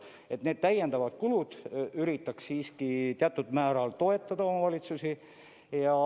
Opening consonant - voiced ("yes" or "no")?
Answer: no